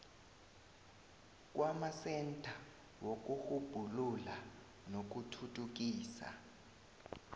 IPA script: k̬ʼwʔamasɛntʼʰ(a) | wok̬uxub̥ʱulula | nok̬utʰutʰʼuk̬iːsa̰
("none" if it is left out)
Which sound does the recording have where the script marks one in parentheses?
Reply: a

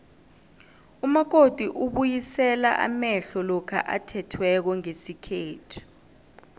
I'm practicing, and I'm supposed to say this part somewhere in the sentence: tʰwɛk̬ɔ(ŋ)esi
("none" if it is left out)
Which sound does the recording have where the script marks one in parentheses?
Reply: ŋ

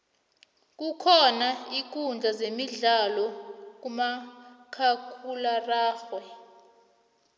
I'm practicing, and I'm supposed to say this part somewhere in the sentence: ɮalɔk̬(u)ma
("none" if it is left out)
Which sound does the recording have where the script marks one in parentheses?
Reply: u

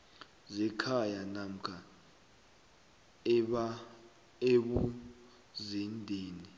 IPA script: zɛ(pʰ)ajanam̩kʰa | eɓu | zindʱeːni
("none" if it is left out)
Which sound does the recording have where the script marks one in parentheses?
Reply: kʰ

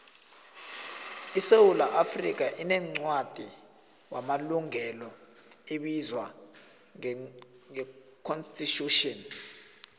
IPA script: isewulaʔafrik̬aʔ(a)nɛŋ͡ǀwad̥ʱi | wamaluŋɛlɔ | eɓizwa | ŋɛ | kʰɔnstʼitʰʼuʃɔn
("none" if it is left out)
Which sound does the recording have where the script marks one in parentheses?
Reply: i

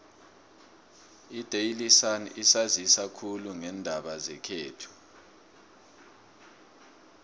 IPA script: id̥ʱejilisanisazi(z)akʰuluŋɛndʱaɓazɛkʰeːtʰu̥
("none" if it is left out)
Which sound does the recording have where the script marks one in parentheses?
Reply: s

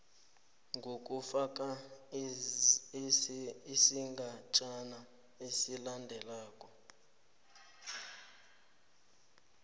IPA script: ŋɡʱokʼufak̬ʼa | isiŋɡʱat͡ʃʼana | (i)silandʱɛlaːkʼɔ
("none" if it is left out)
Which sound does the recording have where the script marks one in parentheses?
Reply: e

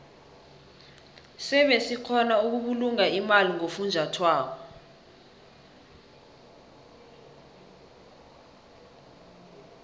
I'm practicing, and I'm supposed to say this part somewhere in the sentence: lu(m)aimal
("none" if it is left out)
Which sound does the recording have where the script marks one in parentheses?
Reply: ŋ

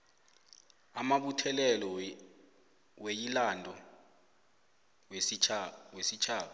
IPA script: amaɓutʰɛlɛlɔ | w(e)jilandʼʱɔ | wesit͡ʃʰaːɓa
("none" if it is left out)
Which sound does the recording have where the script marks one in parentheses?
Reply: e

